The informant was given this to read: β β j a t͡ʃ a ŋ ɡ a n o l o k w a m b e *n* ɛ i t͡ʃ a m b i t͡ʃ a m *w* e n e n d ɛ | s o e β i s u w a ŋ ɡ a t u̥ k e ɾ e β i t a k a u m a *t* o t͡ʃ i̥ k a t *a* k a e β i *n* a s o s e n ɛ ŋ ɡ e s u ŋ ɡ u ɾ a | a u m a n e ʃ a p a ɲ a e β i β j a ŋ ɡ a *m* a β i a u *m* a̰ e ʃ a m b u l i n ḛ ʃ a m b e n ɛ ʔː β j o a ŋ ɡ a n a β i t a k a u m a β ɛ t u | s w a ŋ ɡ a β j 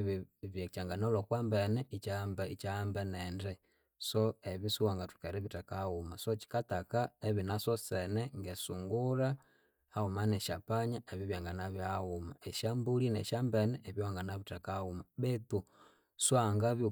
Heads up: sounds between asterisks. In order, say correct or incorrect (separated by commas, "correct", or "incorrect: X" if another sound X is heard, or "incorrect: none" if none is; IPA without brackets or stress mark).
correct, incorrect: b, incorrect: s, correct, correct, incorrect: n, correct